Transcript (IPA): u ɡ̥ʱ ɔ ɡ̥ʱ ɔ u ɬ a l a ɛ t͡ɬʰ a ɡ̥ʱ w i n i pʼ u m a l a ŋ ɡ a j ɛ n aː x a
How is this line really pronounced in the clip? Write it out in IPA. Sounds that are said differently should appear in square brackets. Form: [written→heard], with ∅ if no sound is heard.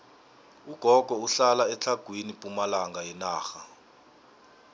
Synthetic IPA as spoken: u ɡ̥ʱ ɔ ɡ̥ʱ ɔ u ɬ a l a ɛ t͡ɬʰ a ɡ̥ʱ w i n i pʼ u m a l a ŋ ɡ a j ɛ n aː x a